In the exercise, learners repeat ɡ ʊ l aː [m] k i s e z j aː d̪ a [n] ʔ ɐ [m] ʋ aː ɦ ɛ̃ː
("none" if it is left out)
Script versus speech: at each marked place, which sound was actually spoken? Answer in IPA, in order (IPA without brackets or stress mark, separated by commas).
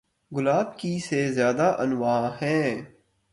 b, none, n